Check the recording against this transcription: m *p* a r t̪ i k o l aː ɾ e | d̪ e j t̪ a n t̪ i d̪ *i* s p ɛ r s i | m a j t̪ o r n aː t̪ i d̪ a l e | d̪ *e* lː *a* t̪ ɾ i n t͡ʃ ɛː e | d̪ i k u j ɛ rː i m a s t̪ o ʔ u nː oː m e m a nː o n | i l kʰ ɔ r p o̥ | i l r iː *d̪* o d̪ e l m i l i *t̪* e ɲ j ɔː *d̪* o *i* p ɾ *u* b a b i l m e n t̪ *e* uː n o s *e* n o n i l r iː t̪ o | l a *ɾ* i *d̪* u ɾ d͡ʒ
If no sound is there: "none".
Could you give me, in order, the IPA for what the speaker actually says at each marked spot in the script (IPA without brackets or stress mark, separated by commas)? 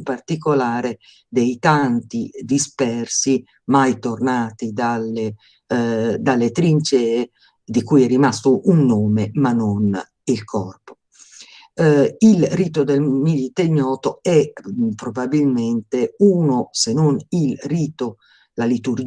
p, i, a, e, t̪, t̪, t̪, ɛ, o, e, e, l, t̪